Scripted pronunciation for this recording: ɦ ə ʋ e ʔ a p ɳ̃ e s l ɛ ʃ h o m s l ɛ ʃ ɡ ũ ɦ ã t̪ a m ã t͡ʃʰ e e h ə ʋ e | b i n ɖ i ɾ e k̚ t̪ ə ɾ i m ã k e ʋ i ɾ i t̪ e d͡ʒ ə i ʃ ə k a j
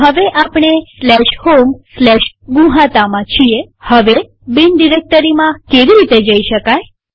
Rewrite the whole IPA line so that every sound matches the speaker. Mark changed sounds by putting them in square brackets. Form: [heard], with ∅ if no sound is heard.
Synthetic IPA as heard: ɦ ə ʋ e ʔ a p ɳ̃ e s l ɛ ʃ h o m s l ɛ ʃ ɡ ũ ɦ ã t̪ a m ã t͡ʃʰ [i] e h ə ʋ e | b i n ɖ i ɾ e k̚ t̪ ə ɾ i m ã k e ʋ i ɾ i t̪ e d͡ʒ ə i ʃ ə k a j

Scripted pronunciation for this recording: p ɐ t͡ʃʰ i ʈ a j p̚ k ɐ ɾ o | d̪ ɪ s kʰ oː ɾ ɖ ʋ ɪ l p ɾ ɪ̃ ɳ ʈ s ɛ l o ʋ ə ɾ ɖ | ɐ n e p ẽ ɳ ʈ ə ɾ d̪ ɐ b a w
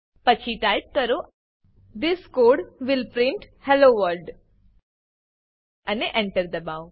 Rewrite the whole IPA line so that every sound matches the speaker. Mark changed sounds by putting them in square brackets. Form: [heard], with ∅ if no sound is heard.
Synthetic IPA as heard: p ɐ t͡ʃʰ i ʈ a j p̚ k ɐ ɾ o | d̪ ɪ s [k] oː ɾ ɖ ʋ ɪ l p ɾ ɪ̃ ɳ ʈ [h] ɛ l o ʋ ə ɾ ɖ | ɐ n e [ʔ] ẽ ɳ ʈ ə ɾ d̪ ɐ b a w

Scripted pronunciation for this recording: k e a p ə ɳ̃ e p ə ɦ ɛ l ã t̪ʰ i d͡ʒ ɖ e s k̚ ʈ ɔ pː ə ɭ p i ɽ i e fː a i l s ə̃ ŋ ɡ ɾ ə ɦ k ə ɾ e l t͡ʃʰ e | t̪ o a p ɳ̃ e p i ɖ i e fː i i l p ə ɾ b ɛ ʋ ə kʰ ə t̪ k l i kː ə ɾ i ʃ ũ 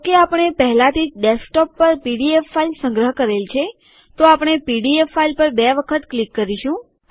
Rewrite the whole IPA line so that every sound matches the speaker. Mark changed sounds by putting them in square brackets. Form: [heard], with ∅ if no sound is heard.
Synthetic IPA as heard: k e a p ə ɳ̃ e p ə ɦ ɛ l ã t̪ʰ i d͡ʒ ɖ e s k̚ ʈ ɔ pː ə [ɾ] p i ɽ i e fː a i l s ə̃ ŋ ɡ ɾ ə ɦ k ə ɾ e l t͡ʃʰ e | t̪ o a p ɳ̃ e p i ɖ i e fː [a] i l p ə ɾ b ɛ ʋ ə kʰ ə t̪ k l i kː ə ɾ i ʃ ũ

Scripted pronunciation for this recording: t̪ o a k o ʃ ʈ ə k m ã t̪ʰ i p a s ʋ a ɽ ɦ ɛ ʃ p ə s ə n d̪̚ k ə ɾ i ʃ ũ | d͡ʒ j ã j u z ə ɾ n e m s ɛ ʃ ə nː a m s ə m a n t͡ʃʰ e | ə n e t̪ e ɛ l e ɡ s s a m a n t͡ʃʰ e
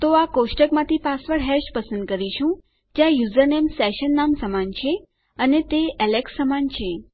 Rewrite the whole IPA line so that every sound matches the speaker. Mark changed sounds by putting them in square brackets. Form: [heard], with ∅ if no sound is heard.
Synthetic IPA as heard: t̪ o a k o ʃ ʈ ə k m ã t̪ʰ i p a s ʋ [ə] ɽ ɦ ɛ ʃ p ə s ə n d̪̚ k ə ɾ i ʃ ũ | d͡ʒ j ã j u z ə ɾ n e m s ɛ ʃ ə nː a m s ə m a n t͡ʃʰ e | ə n e t̪ e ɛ l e [k] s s [ə] m a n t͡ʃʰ e

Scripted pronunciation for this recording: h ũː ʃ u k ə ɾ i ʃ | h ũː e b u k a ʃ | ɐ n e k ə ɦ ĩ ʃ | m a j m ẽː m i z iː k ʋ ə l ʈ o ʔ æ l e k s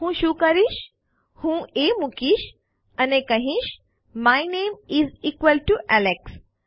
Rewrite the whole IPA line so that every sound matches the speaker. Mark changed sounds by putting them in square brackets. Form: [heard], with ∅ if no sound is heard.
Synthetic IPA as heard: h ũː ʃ u k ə ɾ i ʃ | h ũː e [m] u k [i] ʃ | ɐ n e k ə ɦ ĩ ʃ | m a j [n] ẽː m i z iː k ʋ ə l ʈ [u] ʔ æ l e k s

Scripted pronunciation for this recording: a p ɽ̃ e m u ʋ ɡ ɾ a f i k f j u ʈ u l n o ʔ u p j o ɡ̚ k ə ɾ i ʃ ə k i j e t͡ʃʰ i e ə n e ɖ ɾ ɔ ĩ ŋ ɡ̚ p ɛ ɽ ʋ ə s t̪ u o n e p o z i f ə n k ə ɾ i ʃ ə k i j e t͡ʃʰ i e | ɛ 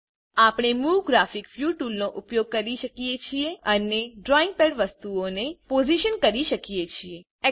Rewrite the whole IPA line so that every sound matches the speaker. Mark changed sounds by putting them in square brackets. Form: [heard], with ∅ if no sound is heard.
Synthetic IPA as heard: a p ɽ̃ e m u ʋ ɡ ɾ a f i k f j u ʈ u l n o ʔ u p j o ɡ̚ k ə ɾ i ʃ ə k i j e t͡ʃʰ i e ə n e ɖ ɾ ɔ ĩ ŋ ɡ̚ p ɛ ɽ ʋ ə s t̪ u o n e p o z i [ʃ] ə n k ə ɾ i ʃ ə k i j e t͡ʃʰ i e | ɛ

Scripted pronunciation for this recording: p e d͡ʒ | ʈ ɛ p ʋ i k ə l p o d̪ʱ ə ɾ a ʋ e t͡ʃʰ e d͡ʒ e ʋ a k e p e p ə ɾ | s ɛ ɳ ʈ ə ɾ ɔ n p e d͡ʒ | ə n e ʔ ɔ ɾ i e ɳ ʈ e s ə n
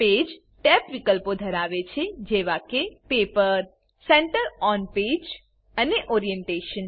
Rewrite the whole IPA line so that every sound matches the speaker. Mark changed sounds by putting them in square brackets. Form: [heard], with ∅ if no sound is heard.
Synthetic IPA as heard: p e d͡ʒ | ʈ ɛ p ʋ i k ə l p o d̪ʱ ə ɾ a ʋ e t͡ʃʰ e d͡ʒ e ʋ a k e p e p ə ɾ | s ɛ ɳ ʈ ə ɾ ɔ n p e d͡ʒ | ə n e ʔ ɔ ɾ i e ɳ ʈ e [ʃ] ə n

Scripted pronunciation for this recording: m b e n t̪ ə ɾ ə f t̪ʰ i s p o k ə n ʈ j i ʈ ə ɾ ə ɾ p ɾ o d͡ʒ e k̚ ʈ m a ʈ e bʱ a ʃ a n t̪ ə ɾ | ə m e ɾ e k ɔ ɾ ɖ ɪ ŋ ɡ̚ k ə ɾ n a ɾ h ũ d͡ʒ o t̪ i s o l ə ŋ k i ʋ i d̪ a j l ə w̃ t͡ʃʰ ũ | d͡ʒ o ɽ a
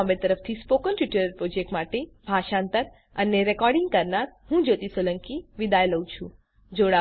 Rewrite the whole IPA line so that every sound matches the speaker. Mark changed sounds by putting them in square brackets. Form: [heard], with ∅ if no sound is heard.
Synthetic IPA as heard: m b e [∅] t̪ ə ɾ ə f t̪ʰ i s p o k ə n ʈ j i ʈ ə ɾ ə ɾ p ɾ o d͡ʒ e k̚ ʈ m a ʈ e bʱ a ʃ a n t̪ ə ɾ | ə [n] e ɾ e k ɔ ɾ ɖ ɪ ŋ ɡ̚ k ə ɾ n a ɾ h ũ d͡ʒ o t̪ i s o l ə ŋ k i ʋ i d̪ a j l ə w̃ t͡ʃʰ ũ | d͡ʒ o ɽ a

